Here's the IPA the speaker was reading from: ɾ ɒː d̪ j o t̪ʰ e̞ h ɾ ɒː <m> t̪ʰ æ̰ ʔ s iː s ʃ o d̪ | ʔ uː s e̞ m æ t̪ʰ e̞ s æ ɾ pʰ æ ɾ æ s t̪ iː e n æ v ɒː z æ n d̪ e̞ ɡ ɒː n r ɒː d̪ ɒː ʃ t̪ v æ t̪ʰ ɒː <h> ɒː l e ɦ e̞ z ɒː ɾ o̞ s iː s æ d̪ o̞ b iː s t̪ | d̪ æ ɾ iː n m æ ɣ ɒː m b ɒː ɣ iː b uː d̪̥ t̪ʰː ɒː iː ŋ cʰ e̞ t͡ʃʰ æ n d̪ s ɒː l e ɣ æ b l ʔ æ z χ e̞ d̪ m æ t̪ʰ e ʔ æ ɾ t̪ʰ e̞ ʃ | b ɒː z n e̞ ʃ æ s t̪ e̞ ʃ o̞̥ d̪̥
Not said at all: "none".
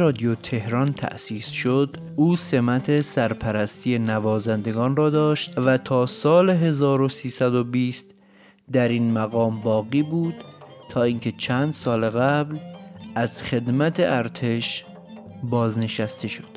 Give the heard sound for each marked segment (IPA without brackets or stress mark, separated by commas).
n, s